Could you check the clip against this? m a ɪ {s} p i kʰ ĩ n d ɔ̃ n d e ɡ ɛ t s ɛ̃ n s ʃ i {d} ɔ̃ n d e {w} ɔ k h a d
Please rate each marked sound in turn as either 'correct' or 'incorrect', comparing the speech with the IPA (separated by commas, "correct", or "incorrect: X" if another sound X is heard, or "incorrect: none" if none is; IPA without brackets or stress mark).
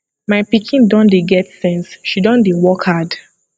incorrect: none, correct, correct